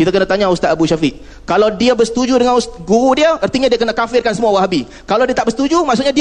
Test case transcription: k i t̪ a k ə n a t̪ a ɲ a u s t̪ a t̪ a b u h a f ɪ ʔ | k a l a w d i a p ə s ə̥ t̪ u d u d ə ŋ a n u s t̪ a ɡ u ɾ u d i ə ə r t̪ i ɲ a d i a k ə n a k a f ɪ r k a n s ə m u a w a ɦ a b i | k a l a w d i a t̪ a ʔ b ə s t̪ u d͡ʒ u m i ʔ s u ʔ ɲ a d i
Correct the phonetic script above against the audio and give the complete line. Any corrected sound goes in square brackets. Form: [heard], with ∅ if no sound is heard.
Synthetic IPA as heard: k i t̪ a k ə n a t̪ a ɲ a u s t̪ a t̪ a b u [ʃ] a f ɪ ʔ | k a l a w d i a [b] ə s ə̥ t̪ u [d͡ʒ] u d ə ŋ a n u s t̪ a ɡ u ɾ u d i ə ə r t̪ i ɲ a d i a k ə n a k a f ɪ r k a n s ə m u a w a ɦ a b i | k a l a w d i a t̪ a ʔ b ə s t̪ u d͡ʒ u m [a] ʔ s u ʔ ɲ a d i